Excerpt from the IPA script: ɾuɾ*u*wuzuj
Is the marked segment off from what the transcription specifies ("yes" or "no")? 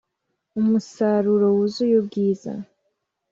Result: yes